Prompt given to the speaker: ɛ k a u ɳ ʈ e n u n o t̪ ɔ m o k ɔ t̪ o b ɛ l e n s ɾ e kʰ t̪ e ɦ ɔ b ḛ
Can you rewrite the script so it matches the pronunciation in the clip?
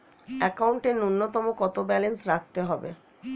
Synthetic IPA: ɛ k a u ɳ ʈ e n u nː o t̪ ɔ m o k ɔ t̪ o b ɛ l e n s ɾ a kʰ t̪ e ɦ ɔ b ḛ